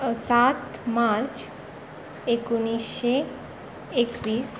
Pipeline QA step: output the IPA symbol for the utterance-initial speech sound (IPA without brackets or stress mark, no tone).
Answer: s